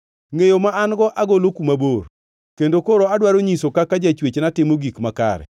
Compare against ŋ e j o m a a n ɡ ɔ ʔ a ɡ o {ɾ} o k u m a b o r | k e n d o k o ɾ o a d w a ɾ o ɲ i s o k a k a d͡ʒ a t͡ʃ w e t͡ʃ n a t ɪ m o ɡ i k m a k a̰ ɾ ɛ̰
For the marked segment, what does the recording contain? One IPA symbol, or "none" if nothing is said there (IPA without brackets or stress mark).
l